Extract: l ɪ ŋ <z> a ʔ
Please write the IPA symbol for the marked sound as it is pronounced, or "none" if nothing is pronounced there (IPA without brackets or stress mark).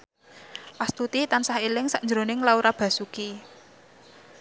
s